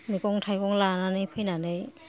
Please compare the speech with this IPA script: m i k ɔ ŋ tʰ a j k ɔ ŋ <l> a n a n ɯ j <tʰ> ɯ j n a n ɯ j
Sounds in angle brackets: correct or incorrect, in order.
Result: correct, incorrect: pʰ

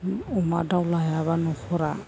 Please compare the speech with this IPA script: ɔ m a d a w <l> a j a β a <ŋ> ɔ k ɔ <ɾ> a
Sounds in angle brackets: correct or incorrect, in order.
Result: correct, incorrect: n, correct

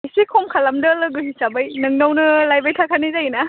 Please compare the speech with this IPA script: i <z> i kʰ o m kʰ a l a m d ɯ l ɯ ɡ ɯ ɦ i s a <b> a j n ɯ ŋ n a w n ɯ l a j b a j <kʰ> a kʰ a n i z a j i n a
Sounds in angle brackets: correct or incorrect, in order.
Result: incorrect: s, correct, incorrect: tʰ

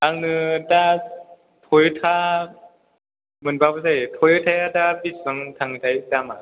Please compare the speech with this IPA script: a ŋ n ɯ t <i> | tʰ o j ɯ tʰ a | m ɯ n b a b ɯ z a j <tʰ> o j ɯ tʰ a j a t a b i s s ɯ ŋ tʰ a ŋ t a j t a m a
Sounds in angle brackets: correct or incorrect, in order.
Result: incorrect: a, correct

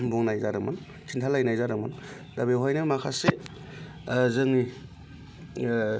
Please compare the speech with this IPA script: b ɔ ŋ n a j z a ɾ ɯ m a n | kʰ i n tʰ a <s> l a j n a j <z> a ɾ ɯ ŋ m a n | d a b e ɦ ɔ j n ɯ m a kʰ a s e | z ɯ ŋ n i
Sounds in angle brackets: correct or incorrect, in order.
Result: incorrect: none, correct

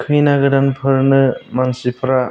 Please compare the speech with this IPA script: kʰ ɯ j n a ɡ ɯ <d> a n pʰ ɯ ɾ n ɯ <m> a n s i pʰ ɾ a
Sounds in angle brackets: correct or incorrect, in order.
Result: correct, correct

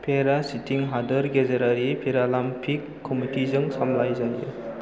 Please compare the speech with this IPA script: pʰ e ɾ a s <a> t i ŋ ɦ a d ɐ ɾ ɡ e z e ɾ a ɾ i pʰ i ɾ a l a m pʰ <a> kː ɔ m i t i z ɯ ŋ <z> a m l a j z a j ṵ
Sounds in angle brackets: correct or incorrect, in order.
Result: incorrect: i, incorrect: i, incorrect: s

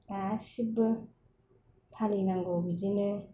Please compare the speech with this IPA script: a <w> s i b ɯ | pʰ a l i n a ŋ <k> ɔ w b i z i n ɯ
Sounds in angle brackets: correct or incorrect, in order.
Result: incorrect: none, incorrect: ɡ

